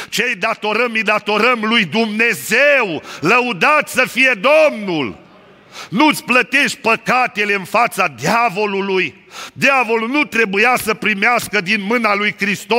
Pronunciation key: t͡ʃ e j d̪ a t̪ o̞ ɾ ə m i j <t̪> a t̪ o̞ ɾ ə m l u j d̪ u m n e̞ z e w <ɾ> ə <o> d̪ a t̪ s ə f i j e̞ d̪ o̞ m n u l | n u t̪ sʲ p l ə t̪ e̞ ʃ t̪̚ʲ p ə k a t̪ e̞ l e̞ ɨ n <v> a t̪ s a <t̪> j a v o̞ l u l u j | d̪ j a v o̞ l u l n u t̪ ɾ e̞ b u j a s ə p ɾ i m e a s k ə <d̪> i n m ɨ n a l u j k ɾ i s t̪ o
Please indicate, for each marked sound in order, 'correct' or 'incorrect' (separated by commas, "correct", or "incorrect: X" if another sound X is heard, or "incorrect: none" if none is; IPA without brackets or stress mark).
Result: incorrect: d̪, incorrect: l, incorrect: u, incorrect: f, incorrect: d̪, correct